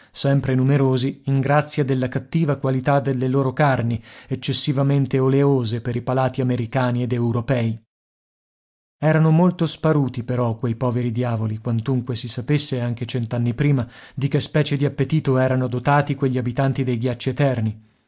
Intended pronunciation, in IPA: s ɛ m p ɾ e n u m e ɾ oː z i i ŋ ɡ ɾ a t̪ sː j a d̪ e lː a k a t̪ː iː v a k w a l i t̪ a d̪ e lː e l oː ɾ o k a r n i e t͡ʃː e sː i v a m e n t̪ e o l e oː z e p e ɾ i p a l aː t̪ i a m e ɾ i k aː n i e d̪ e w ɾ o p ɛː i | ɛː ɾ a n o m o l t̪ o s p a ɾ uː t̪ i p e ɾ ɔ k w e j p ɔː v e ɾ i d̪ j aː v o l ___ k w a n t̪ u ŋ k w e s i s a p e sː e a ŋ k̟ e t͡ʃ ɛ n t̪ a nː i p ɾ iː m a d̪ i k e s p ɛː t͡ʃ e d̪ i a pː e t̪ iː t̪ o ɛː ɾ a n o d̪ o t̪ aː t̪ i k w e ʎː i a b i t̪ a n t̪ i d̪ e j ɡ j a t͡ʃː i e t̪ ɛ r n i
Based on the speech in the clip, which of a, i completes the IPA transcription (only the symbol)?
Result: i